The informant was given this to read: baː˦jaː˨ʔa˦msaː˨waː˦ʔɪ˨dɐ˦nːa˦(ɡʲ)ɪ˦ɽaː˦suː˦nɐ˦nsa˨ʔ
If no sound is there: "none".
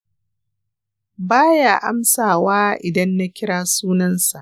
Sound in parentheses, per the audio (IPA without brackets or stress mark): kʲ